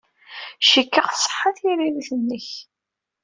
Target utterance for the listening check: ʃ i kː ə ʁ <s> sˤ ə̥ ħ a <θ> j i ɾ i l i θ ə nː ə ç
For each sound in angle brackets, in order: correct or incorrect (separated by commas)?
incorrect, correct